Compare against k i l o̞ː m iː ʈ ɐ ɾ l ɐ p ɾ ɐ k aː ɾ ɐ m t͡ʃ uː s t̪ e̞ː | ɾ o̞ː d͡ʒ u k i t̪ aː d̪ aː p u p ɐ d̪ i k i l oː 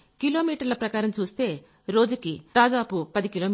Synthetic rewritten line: k i l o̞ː m iː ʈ ɐ ɾ l ɐ p ɾ ɐ k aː ɾ ɐ m t͡ʃ uː s t̪ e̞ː | ɾ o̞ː d͡ʒ u k i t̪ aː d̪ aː p u p ɐ d̪ i k i l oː